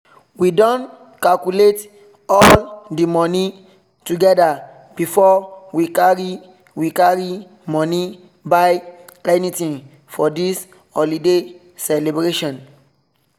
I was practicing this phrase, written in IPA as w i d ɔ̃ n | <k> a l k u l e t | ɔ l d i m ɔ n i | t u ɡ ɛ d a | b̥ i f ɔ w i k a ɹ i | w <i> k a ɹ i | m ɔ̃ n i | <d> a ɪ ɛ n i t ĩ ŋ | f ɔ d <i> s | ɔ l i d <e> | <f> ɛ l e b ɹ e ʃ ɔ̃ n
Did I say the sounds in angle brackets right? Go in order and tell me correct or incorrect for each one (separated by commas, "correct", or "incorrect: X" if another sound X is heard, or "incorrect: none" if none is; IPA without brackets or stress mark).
correct, correct, incorrect: b, correct, correct, incorrect: s